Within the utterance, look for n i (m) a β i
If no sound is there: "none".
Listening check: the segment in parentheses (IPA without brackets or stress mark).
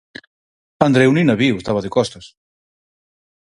n